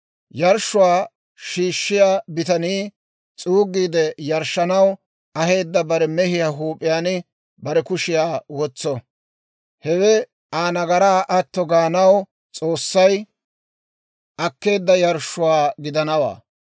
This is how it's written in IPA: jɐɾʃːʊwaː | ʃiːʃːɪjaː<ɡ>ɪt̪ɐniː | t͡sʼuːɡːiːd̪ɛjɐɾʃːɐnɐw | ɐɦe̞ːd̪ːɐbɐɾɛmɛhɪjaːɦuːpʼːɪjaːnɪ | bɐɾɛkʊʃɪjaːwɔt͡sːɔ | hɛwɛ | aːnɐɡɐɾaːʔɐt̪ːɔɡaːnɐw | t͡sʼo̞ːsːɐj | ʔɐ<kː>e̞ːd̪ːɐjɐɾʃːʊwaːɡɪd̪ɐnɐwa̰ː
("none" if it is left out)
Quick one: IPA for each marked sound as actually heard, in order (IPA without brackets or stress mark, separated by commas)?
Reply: b, kː